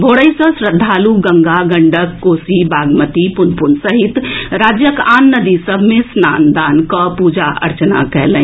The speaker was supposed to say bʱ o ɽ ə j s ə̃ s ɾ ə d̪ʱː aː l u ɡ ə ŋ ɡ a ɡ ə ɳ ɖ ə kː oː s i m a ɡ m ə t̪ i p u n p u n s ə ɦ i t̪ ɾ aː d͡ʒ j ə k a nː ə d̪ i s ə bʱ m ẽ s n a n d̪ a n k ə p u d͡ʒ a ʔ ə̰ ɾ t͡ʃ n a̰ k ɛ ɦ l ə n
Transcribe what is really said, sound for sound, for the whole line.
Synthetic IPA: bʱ o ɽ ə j s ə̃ s ɾ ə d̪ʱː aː l u ɡ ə ŋ ɡ a ɡ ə ɳ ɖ ə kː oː s i b a ɡ m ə t̪ i p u n p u n s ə ɦ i t̪ ɾ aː d͡ʒ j ə k a nː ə d̪ i s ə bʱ m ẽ s n a n d̪ a n k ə p u d͡ʒ a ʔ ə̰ ɾ t͡ʃ n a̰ k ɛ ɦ l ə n